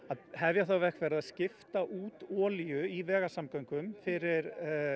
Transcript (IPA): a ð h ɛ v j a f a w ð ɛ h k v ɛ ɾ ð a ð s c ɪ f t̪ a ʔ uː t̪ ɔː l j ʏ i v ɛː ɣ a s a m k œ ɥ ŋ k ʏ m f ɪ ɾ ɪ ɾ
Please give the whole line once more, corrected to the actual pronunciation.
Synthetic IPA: a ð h ɛ v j a θ a w v ɛ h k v ɛ ɾ ð a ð s c ɪ f t̪ a ʔ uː t̪ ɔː l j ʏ i v ɛː ɣ a s a m k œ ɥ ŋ k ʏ m f ɪ ɾ ɪ ɾ